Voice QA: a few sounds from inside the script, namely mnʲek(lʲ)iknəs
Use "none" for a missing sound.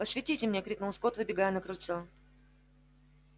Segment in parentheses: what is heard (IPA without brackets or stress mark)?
ɾʲ